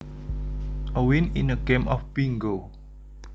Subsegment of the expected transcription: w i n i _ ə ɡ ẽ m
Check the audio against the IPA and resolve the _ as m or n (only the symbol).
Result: n